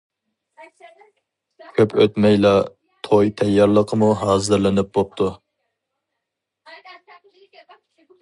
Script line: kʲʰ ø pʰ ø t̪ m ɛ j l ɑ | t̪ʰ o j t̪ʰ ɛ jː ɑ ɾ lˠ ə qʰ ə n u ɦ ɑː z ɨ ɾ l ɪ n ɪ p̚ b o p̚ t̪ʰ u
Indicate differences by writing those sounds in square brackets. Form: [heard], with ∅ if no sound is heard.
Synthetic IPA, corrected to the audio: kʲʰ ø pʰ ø t̪ m ɛ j l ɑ | t̪ʰ o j t̪ʰ ɛ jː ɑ ɾ lˠ ə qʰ ə [m] u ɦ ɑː z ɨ ɾ l ɪ n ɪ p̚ b o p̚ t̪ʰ u

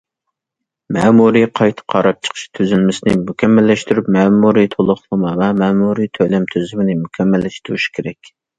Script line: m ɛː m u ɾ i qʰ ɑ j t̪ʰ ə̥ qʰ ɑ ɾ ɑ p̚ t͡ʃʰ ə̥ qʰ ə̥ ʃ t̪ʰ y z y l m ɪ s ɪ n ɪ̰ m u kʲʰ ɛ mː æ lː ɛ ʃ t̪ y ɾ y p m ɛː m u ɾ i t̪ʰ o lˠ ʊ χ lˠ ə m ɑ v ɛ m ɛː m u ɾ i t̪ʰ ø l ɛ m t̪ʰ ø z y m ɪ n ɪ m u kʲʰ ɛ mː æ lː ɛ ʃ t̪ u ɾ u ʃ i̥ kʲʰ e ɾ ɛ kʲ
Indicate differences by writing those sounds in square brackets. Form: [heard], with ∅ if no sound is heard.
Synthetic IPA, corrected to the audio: m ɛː m u ɾ i qʰ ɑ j t̪ʰ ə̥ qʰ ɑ ɾ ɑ p̚ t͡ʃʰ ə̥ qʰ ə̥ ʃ t̪ʰ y z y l m ɪ s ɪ n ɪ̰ m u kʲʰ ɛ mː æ lː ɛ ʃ t̪ y ɾ y p m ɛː m u ɾ i t̪ʰ o lˠ ʊ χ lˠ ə m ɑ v ɛ m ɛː m u ɾ i t̪ʰ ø l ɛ m t̪ʰ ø z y m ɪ n ɪ m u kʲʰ ɛ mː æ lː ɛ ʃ t̪ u ɾ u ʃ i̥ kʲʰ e ɾ ɛ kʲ

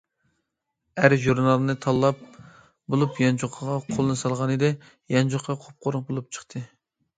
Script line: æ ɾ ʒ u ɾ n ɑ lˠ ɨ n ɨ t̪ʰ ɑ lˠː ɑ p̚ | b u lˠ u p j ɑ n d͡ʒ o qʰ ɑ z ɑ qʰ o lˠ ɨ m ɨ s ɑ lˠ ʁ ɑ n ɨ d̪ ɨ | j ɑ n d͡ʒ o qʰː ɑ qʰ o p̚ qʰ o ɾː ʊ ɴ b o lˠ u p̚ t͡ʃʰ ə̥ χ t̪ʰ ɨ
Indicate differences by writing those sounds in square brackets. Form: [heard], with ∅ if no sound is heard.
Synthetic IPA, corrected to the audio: æ ɾ ʒ u ɾ n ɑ lˠ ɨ n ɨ t̪ʰ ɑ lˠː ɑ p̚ | b [o] lˠ u p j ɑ n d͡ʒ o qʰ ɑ [ʁ] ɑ qʰ o lˠ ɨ [n] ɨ s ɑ lˠ ʁ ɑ n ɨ d̪ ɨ | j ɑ n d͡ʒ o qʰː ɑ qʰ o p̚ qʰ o [ɾ] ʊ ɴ b o lˠ u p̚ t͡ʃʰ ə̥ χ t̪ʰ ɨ

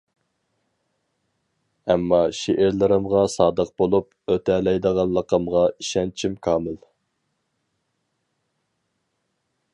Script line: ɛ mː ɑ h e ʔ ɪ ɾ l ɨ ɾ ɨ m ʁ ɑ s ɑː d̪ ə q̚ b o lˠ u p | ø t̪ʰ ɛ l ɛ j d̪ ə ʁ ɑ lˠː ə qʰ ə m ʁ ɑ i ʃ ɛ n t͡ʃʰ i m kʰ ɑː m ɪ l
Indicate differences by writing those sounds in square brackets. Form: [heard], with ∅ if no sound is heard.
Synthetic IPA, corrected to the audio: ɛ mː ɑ [ʃ] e ʔ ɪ ɾ l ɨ ɾ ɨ m ʁ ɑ s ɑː d̪ ə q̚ b o lˠ u p | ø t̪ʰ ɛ l ɛ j d̪ ə ʁ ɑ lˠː ə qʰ ə m ʁ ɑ i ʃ ɛ n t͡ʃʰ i m kʰ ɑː m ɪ l

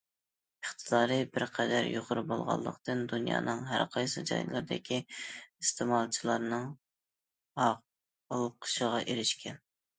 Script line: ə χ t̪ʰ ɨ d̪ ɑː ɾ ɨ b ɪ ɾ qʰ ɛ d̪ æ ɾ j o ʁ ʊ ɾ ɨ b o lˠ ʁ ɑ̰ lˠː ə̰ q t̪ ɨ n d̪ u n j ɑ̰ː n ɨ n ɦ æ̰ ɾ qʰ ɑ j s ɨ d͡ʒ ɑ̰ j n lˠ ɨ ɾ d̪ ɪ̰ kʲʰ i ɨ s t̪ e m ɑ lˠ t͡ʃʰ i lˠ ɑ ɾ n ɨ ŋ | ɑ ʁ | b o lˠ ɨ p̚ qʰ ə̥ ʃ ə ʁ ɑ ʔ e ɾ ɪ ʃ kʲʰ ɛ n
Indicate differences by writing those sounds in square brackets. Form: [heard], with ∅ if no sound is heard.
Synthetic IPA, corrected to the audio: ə χ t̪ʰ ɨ d̪ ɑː ɾ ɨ b ɪ ɾ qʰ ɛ d̪ æ ɾ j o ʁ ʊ ɾ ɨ b o lˠ ʁ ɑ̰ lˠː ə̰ q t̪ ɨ n d̪ u n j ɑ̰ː n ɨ [ŋ] ɦ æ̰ ɾ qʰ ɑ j s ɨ d͡ʒ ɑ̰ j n lˠ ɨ ɾ d̪ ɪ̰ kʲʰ i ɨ s t̪ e m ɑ lˠ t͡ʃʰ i lˠ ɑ ɾ n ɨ ŋ | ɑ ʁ | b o lˠ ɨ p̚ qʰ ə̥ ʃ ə ʁ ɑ ʔ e ɾ ɪ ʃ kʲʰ ɛ n

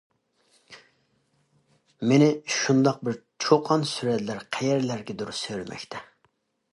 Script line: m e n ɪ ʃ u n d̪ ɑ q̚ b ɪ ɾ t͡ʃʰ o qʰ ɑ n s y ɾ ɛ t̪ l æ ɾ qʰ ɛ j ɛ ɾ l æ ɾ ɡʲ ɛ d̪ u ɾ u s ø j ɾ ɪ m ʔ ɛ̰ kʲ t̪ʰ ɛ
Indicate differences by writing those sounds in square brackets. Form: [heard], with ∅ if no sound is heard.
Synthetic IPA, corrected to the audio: m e n ɪ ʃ u n d̪ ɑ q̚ b ɪ ɾ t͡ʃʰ o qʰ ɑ n s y ɾ ɛ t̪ l æ ɾ qʰ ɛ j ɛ ɾ l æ ɾ ɡʲ ɛ d̪ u ɾ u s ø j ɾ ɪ m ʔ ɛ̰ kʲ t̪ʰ ɛ

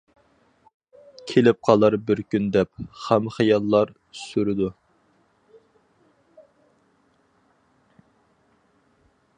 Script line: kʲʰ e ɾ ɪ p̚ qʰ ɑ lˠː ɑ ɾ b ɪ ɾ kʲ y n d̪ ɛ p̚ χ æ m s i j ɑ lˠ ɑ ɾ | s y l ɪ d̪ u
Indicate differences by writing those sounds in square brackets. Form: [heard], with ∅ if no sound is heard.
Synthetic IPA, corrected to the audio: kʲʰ e [l] ɪ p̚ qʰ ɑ [lˠ] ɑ ɾ b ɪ ɾ kʲ y n d̪ ɛ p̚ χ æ m [χ] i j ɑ [lˠː] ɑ ɾ | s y [ɾ] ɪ d̪ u

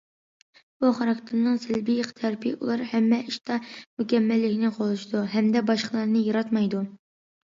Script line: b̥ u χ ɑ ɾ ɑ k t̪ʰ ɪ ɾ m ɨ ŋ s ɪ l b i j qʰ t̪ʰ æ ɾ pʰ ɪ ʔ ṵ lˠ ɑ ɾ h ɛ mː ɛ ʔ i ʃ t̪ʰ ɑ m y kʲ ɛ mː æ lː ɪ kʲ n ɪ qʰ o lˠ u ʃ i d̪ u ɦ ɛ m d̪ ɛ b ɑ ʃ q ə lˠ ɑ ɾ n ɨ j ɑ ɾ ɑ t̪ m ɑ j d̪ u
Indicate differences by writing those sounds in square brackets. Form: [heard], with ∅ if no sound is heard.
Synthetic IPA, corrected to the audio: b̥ u χ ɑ ɾ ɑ k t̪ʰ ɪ ɾ [n] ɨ ŋ s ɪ l b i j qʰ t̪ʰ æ ɾ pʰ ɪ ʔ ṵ lˠ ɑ ɾ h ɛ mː ɛ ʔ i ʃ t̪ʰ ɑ m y kʲ ɛ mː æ lː ɪ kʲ n ɪ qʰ o lˠ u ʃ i d̪ u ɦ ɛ m d̪ ɛ b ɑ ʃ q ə lˠ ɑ ɾ n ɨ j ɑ ɾ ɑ t̪ m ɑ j d̪ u

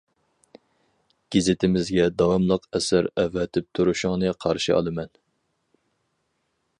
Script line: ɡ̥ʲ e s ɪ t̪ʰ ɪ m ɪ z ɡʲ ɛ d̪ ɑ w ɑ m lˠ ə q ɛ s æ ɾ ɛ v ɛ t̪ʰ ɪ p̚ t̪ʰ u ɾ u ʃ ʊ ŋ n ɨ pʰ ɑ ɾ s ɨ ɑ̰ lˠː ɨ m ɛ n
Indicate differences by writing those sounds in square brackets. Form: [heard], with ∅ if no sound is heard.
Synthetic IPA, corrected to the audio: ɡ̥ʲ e [z] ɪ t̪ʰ ɪ m ɪ z ɡʲ ɛ d̪ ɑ w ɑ m lˠ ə q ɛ s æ ɾ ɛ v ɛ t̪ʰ ɪ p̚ t̪ʰ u ɾ u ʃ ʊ ŋ n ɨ [qʰ] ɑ ɾ [ʃ] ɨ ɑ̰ [lˠ] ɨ m ɛ n

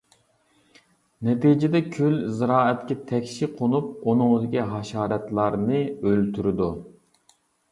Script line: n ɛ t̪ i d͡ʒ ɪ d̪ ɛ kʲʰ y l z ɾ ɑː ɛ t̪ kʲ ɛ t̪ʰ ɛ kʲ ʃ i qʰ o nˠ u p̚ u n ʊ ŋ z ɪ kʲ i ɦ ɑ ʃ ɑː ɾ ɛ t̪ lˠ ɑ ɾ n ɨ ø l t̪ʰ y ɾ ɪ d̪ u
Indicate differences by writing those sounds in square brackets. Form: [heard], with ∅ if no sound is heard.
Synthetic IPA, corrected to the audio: n ɛ t̪ i d͡ʒ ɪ d̪ ɛ kʲʰ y l z ɾ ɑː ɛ t̪ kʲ ɛ t̪ʰ ɛ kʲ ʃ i qʰ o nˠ u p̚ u n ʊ ŋ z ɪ kʲ i ɦ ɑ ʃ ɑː ɾ ɛ t̪ lˠ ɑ ɾ n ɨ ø l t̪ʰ y ɾ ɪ d̪ u

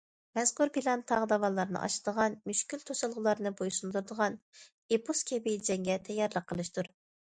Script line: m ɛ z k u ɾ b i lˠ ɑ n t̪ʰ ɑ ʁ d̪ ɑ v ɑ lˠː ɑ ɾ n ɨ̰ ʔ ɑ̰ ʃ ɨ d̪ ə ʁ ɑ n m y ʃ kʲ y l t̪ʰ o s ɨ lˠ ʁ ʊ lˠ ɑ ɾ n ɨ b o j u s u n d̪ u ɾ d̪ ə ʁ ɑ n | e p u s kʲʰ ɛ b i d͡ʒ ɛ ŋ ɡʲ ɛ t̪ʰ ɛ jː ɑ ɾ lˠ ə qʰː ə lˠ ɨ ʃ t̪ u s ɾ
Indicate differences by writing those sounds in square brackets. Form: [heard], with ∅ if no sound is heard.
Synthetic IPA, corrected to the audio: m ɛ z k u ɾ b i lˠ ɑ n t̪ʰ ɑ ʁ d̪ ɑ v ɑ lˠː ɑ ɾ n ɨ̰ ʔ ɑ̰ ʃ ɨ d̪ ə ʁ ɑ n m y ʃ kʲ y l t̪ʰ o s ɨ lˠ ʁ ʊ lˠ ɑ ɾ n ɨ b o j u s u n d̪ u ɾ d̪ ə ʁ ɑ n | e p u s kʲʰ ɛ b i d͡ʒ ɛ ŋ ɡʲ ɛ t̪ʰ ɛ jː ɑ ɾ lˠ ə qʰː ə lˠ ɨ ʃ t̪ u [∅] ɾ

